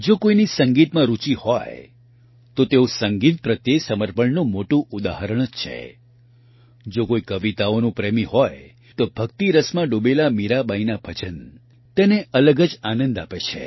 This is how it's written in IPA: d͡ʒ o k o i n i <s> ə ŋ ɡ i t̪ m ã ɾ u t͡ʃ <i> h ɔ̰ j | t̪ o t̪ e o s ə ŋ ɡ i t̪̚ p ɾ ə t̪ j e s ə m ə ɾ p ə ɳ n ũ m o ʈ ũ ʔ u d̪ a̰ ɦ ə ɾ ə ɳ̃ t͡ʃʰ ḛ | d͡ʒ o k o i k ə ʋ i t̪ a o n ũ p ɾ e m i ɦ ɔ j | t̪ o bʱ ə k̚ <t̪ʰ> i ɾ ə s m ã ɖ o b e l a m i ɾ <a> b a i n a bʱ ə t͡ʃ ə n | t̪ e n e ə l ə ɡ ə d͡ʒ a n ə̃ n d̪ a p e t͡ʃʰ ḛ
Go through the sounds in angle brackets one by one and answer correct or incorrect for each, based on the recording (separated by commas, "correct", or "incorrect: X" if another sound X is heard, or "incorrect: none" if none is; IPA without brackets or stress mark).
correct, correct, incorrect: t̪, correct